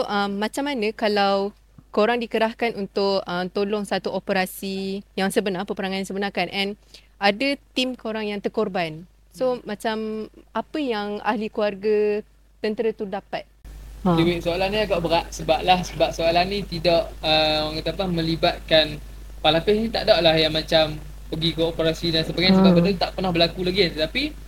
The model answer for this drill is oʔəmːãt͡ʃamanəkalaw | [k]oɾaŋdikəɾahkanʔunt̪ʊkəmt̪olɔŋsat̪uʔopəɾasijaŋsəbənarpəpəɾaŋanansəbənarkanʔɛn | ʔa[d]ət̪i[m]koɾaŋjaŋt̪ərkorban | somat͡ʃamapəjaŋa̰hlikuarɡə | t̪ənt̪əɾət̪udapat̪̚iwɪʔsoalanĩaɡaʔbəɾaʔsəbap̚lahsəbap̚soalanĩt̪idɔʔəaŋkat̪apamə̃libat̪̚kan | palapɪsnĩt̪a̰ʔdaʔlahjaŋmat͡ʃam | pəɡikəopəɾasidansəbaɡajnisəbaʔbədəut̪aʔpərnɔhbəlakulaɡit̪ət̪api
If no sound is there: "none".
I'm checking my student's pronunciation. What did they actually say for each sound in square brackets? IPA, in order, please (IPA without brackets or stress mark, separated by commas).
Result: k, d, m